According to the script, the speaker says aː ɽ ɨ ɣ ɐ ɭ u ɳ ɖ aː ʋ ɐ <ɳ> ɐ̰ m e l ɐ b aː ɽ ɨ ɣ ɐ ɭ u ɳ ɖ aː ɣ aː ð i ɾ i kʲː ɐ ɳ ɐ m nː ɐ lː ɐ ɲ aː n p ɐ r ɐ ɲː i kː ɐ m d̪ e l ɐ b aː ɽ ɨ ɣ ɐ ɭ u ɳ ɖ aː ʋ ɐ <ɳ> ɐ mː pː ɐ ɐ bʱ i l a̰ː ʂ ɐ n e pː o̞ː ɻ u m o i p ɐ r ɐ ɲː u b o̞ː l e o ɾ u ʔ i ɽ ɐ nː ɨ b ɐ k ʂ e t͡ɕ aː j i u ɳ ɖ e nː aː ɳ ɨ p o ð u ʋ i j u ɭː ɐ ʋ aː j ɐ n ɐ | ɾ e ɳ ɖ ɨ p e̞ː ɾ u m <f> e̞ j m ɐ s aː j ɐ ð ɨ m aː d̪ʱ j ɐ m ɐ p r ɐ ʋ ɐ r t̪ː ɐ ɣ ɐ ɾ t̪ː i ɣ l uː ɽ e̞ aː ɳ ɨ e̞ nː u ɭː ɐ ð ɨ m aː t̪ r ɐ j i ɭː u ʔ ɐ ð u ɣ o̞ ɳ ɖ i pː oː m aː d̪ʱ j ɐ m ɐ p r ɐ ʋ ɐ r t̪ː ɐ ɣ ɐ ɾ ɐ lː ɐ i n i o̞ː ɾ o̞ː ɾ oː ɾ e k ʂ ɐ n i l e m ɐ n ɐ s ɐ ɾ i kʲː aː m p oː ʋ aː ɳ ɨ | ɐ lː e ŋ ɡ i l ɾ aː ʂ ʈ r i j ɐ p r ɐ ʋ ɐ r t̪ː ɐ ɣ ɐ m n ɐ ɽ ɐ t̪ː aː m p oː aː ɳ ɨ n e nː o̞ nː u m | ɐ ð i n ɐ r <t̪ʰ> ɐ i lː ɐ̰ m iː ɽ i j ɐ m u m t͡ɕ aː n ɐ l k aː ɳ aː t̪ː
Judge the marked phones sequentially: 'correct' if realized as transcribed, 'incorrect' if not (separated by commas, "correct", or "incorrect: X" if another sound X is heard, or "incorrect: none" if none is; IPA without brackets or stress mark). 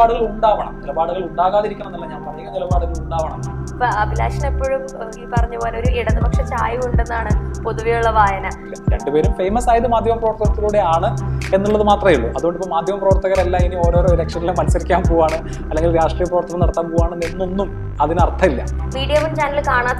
correct, correct, correct, correct